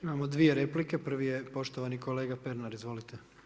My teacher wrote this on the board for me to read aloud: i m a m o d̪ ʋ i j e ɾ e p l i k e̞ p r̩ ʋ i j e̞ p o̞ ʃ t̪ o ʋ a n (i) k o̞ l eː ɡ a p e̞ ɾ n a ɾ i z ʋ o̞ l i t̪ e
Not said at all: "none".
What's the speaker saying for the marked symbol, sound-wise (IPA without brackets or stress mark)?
i